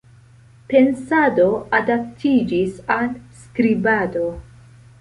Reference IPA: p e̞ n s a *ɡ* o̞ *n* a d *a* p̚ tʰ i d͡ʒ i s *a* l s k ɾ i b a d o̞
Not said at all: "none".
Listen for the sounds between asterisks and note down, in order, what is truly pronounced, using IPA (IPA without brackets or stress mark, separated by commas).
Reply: d, none, a, a